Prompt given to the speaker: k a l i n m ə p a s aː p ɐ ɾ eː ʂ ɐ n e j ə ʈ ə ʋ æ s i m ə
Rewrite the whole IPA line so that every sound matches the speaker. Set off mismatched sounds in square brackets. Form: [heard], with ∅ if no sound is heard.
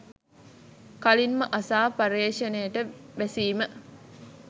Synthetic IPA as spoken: k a l i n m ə [ʔ] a s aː p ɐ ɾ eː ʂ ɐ n e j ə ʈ ə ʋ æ s [iː] m ə